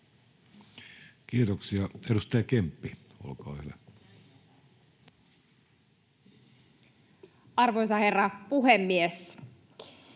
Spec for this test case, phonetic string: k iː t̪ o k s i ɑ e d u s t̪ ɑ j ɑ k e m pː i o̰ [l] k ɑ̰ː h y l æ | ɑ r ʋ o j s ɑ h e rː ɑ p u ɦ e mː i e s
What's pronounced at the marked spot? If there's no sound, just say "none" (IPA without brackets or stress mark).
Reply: l